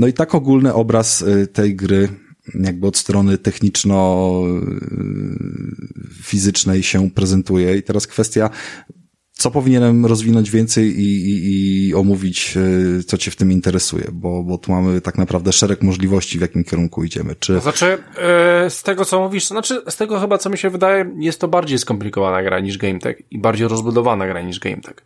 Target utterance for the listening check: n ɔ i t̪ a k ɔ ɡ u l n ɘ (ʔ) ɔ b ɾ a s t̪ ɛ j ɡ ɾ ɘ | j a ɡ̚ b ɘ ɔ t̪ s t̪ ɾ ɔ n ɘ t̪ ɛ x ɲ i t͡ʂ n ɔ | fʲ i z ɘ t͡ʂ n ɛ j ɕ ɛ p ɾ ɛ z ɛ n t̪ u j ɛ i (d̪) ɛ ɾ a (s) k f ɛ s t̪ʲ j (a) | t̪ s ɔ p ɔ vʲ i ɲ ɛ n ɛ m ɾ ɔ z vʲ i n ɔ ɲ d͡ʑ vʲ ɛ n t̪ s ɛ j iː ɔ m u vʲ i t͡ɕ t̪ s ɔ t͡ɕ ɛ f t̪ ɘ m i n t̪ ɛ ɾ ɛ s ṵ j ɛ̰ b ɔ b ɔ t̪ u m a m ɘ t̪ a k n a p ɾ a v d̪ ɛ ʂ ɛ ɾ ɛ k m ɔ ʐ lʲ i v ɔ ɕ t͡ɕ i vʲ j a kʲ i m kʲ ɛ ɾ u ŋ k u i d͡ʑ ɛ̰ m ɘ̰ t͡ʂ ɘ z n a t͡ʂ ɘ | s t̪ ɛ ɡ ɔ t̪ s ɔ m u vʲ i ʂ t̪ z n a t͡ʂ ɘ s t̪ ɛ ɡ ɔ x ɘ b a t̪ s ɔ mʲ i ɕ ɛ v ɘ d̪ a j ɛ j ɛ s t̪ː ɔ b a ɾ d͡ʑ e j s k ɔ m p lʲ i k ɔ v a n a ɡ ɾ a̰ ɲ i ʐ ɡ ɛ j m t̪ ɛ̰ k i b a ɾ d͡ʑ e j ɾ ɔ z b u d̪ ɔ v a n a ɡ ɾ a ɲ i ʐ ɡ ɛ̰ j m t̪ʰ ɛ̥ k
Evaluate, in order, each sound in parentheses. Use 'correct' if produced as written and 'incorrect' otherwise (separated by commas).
correct, incorrect, correct, correct